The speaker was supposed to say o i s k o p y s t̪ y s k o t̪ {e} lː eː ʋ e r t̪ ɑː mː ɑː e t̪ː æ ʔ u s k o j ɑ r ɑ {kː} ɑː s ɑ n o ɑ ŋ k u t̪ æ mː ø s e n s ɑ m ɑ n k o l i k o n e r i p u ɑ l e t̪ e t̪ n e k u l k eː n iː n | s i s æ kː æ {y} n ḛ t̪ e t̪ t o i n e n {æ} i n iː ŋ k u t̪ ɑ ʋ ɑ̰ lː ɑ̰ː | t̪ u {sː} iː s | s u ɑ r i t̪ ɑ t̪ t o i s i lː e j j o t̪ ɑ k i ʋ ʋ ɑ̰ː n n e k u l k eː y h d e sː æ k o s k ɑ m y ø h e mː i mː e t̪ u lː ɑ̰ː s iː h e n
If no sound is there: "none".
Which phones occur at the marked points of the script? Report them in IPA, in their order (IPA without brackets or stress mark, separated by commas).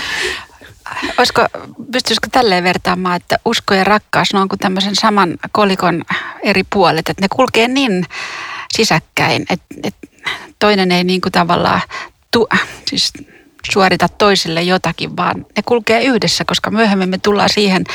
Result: æ, kː, i, e, s